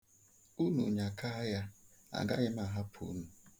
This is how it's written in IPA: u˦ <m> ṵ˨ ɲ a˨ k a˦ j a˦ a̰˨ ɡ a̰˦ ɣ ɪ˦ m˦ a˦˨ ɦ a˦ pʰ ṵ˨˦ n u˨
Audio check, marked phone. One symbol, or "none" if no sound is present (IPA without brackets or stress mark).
n